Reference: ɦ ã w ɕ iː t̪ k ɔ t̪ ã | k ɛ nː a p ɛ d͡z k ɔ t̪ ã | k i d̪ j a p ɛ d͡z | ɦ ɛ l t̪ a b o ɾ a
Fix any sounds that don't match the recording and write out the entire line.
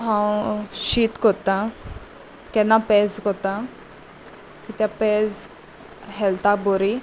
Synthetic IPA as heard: ɦ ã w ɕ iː t̪ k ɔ t̪ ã | k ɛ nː a p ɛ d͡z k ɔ t̪ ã | k i t̪ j a p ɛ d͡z | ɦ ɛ l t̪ a b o ɾ i